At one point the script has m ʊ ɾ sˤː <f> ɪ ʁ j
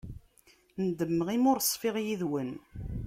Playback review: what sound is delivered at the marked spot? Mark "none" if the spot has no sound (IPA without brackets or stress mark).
f